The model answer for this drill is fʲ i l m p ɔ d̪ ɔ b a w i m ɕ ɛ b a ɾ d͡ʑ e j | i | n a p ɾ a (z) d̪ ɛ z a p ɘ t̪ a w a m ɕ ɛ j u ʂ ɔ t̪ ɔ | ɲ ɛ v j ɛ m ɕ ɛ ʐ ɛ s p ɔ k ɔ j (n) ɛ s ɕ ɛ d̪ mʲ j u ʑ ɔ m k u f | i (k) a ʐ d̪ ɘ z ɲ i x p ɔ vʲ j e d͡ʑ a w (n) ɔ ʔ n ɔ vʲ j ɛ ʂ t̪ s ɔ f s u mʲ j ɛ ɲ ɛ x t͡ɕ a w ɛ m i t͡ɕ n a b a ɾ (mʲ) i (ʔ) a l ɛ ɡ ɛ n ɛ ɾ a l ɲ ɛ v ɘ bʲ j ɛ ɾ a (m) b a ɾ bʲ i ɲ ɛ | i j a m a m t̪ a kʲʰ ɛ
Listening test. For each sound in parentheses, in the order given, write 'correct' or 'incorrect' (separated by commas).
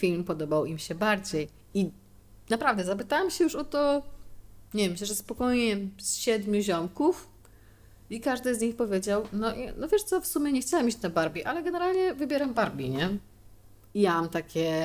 incorrect, incorrect, correct, correct, incorrect, correct, correct